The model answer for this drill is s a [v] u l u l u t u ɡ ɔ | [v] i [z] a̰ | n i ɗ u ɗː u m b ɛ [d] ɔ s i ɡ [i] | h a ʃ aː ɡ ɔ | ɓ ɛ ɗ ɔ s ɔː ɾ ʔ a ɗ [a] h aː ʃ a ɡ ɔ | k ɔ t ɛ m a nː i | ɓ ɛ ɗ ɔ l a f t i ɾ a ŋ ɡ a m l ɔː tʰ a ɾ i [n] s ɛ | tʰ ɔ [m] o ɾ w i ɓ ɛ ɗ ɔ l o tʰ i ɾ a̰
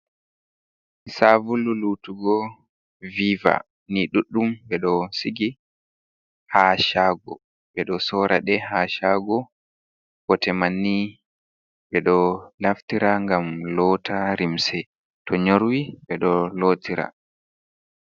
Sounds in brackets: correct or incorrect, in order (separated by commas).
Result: correct, correct, incorrect, incorrect, correct, incorrect, incorrect, incorrect